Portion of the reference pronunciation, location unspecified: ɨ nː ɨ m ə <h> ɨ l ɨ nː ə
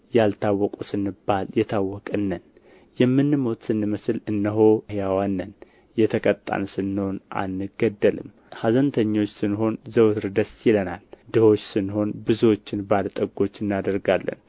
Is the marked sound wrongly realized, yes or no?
yes